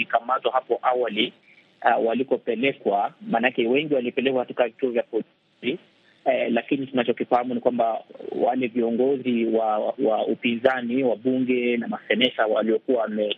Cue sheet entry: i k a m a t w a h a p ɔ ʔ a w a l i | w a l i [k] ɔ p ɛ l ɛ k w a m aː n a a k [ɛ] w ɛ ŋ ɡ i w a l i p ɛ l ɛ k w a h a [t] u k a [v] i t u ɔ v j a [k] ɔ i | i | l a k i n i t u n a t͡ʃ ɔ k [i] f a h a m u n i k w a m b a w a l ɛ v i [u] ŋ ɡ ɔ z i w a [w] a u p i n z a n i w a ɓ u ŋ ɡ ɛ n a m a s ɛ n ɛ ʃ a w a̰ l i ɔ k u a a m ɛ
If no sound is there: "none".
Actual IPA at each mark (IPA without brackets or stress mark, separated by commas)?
k, ɛ, t, v, p, i, ɔ, w